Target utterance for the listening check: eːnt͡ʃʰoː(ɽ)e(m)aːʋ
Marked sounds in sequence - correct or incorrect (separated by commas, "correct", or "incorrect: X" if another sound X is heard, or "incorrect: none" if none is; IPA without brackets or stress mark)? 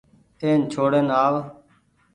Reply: correct, incorrect: n